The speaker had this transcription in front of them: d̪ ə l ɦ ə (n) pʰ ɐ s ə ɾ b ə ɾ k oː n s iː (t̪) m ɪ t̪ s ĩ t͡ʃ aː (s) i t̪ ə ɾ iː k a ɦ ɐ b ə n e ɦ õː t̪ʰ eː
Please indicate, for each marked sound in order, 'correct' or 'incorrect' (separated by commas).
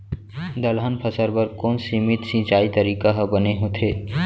correct, incorrect, incorrect